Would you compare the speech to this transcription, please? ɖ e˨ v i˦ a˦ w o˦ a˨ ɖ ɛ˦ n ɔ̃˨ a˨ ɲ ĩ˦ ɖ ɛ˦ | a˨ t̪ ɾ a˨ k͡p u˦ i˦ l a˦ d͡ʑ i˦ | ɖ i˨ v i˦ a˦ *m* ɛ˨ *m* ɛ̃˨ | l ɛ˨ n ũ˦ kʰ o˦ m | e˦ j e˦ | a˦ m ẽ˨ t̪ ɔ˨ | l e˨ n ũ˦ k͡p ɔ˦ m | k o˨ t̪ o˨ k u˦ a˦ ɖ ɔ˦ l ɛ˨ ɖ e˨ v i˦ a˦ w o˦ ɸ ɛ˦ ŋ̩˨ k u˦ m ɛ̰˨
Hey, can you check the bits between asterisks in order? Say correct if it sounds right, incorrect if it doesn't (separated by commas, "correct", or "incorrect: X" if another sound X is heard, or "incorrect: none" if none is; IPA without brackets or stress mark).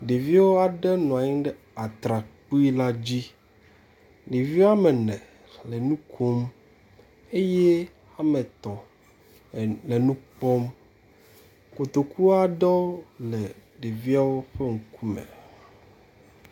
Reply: correct, incorrect: n